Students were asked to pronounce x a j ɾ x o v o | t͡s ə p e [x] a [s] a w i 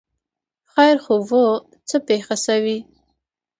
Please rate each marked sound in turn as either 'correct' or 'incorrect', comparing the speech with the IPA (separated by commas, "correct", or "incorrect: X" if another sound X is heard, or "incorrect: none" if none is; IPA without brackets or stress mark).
correct, correct